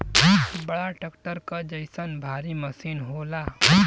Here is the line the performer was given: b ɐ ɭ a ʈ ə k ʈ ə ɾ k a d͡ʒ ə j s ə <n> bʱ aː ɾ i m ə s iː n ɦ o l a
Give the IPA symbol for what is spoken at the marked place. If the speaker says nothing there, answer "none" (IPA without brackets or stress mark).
n